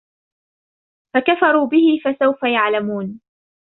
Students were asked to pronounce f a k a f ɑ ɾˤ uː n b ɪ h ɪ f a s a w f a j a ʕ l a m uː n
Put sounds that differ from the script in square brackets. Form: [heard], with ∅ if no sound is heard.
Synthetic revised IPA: f a k a f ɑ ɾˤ uː [∅] b ɪ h ɪ f a s a w f a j a ʕ l a m uː n